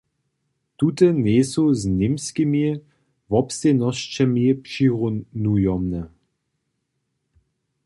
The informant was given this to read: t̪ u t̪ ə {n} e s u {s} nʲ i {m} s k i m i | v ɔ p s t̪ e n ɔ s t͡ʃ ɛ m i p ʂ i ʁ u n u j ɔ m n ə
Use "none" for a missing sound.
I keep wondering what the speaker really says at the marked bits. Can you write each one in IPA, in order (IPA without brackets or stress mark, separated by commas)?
n, z, m